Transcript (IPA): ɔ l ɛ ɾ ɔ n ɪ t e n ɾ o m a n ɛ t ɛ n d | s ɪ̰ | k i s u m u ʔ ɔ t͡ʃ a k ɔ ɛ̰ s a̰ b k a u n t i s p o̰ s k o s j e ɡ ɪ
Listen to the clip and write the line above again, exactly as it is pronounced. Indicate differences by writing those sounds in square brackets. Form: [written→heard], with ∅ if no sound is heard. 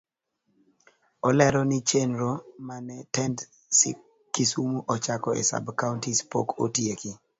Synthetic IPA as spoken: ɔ l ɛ ɾ ɔ n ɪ [t→t͡ʃ] e n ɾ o m a n ɛ t ɛ n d | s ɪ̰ | k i s u m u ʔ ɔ t͡ʃ a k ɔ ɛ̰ s a̰ b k a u n t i s p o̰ [s→∅] k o [s→t] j e [ɡ→k] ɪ